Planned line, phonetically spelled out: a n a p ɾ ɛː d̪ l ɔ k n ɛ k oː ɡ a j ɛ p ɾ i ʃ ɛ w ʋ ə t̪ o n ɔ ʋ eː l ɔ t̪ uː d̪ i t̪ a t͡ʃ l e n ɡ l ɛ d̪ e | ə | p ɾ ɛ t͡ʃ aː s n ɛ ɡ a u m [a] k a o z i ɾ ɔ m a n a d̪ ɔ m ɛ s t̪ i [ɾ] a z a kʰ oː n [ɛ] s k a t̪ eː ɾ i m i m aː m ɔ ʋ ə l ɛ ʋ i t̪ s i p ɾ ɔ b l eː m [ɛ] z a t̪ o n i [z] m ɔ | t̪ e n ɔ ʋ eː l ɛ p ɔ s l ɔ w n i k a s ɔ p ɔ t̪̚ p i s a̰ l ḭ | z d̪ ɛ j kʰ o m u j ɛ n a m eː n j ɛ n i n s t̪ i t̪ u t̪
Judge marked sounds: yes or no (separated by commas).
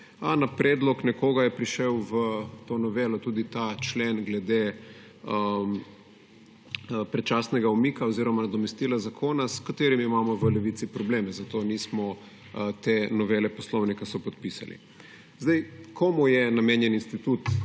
no, no, no, yes, no